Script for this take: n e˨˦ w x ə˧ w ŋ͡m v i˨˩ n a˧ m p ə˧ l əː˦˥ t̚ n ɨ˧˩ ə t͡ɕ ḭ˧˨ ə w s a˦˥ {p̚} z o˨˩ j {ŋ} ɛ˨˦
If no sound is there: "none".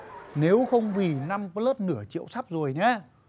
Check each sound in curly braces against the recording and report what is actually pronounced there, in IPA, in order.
p̚, ɲ

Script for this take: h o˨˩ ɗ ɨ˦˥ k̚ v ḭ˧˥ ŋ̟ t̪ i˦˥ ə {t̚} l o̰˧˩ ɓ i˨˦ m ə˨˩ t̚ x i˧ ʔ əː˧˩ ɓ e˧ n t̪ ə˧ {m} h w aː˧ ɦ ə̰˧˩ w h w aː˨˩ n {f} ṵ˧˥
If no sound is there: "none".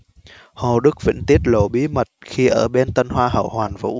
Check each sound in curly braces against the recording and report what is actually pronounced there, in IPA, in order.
t̚, n, v

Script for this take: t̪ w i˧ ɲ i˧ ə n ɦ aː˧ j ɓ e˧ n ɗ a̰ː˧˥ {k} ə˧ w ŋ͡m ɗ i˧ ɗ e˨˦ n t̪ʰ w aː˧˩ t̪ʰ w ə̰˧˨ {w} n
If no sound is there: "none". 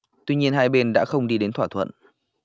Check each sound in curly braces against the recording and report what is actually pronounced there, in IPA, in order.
x, none

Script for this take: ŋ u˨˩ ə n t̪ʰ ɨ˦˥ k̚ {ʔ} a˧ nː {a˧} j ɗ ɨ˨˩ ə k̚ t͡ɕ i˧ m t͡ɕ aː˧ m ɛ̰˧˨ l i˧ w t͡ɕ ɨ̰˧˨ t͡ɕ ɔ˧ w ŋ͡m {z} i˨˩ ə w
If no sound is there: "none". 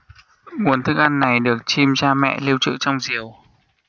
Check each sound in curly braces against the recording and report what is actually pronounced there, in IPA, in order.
ʔ, a˨˩, z

